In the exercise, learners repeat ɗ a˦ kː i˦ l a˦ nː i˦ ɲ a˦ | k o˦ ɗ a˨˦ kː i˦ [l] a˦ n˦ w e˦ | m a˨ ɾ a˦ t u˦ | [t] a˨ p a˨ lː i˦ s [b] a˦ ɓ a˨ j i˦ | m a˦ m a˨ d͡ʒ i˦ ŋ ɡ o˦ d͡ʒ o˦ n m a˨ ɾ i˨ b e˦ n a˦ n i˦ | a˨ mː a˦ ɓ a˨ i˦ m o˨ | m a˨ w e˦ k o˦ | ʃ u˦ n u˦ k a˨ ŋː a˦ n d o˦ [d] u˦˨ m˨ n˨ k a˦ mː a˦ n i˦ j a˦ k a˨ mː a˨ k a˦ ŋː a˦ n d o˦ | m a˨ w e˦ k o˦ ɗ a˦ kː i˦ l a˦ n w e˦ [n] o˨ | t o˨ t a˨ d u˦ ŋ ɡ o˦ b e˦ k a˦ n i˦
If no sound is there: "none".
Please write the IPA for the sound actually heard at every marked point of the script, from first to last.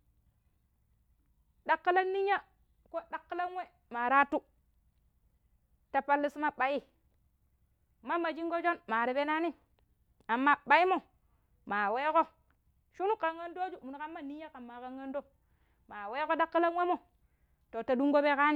l, t, m, d͡ʒ, m

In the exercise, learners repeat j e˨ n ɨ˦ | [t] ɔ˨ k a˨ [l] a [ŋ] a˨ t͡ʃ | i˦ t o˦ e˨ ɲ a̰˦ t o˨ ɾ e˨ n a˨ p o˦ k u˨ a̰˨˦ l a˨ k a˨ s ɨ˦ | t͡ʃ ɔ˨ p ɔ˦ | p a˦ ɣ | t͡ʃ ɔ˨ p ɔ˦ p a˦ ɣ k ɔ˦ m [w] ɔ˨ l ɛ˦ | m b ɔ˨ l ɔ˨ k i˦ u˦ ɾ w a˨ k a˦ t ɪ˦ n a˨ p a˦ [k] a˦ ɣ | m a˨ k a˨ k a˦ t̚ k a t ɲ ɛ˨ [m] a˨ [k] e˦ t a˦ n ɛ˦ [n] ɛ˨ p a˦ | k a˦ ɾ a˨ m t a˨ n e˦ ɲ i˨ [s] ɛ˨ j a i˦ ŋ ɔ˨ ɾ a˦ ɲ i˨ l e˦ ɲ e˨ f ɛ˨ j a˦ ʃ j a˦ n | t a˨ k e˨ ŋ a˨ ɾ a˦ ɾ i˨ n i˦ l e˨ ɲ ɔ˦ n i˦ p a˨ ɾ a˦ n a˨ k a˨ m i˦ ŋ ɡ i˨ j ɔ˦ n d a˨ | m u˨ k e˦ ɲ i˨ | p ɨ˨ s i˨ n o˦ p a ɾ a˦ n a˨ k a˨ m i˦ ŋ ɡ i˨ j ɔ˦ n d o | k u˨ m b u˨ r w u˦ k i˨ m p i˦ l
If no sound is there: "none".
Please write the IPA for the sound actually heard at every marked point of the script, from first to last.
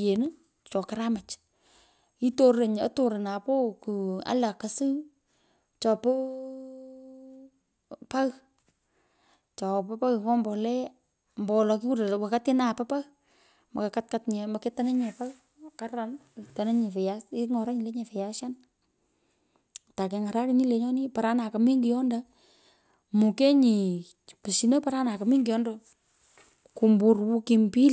t͡ʃ, ɾ, m, b, p, m, k, ɲ, f

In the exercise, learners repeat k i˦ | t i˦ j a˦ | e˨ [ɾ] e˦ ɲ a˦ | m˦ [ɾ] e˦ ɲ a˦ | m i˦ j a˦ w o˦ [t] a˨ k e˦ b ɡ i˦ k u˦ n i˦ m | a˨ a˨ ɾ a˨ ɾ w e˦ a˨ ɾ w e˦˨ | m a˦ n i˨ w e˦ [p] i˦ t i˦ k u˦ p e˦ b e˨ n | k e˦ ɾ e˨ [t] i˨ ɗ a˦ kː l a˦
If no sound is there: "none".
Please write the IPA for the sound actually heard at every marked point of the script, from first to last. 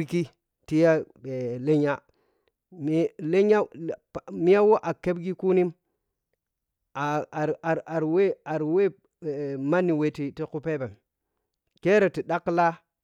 l, l, ʔ, t, t

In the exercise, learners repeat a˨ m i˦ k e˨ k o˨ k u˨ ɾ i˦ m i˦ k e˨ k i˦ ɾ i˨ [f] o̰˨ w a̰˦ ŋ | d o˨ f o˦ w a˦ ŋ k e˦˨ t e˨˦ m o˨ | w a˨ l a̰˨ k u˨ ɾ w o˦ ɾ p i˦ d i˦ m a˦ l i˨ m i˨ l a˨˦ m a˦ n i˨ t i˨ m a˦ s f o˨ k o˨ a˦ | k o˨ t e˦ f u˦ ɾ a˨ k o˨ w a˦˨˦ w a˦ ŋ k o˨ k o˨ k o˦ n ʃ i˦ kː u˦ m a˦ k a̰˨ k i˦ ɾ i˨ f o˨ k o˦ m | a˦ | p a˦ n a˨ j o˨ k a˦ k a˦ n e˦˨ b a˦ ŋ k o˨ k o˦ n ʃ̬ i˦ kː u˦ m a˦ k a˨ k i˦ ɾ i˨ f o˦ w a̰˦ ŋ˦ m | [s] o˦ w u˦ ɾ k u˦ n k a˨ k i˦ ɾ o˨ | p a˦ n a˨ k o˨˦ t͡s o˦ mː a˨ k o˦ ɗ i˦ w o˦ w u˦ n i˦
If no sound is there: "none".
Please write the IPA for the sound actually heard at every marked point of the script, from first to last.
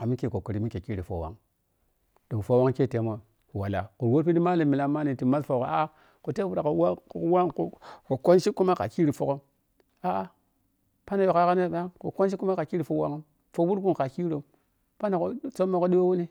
f, f

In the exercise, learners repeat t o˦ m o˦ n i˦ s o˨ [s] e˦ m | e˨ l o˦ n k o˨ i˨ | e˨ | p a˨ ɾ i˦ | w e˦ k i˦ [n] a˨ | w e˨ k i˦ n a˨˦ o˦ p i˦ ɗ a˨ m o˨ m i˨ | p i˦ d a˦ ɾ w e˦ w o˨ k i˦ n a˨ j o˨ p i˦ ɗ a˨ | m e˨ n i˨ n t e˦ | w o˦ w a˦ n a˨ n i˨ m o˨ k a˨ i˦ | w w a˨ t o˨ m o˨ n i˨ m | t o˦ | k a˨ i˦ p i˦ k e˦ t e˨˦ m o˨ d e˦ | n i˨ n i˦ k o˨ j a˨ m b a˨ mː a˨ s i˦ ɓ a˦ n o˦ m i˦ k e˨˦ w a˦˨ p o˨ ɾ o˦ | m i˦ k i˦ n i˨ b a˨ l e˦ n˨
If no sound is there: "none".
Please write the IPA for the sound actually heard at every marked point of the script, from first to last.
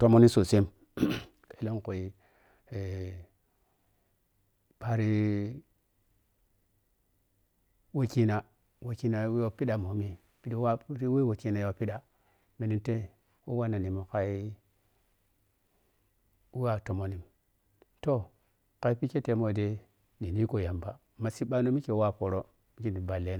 s, n

